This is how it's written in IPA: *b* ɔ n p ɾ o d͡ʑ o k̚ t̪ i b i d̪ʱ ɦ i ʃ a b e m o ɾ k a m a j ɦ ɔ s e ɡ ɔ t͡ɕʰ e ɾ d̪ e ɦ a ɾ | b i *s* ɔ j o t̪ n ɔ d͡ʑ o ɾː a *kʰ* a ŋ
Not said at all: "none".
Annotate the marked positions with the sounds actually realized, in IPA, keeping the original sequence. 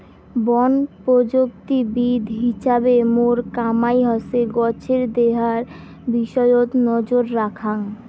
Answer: b, ʃ, kʰ

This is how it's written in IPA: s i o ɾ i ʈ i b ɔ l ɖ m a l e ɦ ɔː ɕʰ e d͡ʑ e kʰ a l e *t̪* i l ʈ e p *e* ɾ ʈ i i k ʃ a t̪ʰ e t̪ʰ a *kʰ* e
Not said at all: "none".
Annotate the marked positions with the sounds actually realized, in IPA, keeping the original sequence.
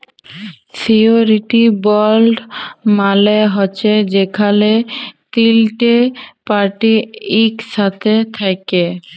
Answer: t̪, a, k

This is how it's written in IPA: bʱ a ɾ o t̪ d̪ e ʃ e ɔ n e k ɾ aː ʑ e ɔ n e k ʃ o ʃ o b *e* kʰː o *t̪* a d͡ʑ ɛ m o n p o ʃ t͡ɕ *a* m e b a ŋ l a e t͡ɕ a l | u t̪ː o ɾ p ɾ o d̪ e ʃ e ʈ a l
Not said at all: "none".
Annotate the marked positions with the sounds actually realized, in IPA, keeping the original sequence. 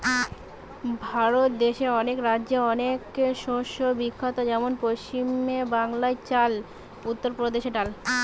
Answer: i, t̪, i

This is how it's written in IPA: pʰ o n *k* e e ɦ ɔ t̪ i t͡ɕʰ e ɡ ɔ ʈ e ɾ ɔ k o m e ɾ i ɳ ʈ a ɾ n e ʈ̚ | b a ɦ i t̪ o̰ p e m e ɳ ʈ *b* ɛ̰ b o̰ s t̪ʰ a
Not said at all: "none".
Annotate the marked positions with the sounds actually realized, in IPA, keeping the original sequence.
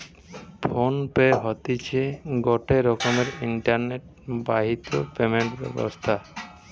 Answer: p, b

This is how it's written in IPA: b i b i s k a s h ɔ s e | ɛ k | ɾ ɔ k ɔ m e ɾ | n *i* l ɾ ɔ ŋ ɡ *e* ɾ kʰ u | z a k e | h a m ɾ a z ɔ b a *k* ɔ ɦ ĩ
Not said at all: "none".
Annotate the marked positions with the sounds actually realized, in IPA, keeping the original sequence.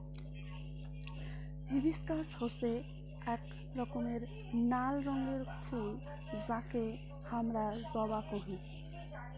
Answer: a, e, k

